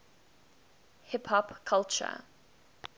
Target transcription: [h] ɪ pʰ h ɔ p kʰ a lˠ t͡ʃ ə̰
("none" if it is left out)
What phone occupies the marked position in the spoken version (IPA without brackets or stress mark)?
h